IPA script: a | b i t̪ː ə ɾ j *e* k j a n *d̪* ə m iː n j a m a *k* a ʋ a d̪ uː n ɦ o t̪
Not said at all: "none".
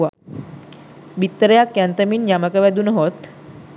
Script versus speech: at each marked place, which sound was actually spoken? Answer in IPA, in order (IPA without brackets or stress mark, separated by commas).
a, t̪, k